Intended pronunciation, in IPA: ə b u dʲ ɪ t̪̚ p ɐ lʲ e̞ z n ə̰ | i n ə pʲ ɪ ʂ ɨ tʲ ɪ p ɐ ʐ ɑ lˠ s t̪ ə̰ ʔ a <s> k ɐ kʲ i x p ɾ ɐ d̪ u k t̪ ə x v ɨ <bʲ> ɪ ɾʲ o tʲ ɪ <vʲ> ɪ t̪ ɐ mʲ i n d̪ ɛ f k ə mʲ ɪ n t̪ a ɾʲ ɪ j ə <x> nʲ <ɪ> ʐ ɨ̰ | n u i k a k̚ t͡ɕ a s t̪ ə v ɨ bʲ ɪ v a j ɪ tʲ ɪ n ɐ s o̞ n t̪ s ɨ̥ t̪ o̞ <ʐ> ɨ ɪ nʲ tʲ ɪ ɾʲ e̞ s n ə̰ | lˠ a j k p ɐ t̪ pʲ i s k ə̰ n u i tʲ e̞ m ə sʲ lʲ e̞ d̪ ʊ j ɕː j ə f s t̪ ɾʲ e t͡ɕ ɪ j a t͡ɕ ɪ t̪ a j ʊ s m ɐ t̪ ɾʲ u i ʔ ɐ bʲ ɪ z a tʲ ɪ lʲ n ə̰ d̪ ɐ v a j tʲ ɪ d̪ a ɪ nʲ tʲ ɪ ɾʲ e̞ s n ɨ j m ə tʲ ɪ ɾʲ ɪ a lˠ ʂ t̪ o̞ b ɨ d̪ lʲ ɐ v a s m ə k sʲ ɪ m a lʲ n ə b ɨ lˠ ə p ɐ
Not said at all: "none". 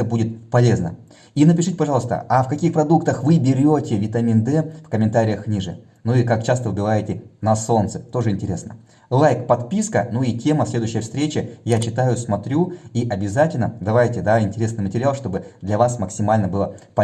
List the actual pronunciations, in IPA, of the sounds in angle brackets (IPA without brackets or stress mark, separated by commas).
f, bʲ, vʲ, x, i, ʐ